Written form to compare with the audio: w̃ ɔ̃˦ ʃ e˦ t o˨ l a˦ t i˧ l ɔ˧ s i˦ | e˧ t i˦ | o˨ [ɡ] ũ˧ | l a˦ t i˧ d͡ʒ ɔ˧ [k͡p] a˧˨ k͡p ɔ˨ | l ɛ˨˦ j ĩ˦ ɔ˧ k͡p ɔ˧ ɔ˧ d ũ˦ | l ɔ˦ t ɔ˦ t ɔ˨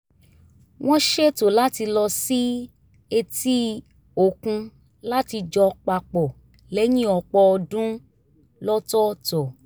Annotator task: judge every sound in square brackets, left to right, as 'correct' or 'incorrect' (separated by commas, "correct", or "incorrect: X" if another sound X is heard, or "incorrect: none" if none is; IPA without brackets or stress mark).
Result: incorrect: k, correct